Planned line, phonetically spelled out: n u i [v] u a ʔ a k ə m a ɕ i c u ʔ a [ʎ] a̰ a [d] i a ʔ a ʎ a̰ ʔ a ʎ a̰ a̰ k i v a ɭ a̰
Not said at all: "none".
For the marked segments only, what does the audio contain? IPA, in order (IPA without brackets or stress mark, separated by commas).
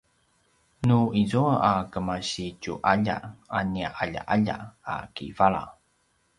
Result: z, ʎ, n